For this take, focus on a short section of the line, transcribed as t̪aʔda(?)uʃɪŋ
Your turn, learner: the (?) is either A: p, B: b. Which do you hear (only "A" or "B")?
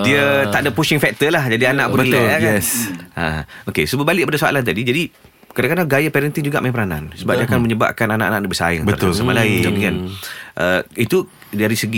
A